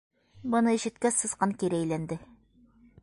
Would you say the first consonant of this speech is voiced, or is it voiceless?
voiced